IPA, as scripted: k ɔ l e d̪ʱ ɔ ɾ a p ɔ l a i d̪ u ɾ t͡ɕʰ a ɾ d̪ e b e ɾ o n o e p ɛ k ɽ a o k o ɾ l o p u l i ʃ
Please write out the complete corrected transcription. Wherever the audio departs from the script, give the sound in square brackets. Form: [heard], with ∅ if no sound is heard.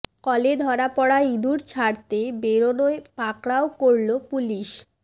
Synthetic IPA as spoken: k ɔ l e d̪ʱ ɔ ɾ a p ɔ [ɽ] a i d̪ u ɾ t͡ɕʰ a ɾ [t̪] e b e ɾ o n o e p [a] k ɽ a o k o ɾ l o p u l i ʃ